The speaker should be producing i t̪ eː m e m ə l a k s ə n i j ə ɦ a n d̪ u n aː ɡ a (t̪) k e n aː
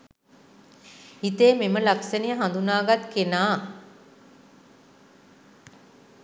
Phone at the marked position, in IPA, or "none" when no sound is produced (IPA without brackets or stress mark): t̪